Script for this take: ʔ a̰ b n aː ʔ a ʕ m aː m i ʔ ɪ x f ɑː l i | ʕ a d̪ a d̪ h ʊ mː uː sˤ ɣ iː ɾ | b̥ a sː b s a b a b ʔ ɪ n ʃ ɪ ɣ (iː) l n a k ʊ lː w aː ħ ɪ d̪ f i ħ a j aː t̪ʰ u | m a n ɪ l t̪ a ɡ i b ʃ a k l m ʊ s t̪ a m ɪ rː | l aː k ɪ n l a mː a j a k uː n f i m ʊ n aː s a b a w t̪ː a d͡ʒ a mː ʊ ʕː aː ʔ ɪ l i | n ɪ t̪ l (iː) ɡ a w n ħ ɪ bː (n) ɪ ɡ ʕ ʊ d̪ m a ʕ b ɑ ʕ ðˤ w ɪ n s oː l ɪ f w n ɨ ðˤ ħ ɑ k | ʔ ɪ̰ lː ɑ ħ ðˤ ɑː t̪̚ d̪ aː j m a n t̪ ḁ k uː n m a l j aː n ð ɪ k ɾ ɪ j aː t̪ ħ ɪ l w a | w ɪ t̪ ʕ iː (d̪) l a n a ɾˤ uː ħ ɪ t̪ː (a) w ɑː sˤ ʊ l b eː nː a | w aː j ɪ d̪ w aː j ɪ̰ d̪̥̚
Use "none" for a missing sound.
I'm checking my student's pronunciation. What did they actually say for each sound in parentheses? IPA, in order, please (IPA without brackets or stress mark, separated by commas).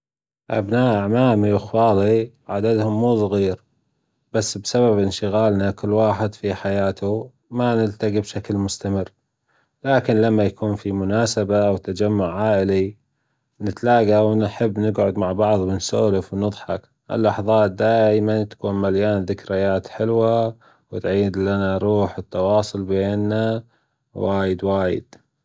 aː, aː, n, d̪, ɑ